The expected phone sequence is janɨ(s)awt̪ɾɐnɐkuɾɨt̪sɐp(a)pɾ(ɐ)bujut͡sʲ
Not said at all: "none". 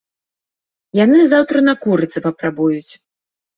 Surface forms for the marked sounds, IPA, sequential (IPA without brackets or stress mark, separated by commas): z, ɐ, a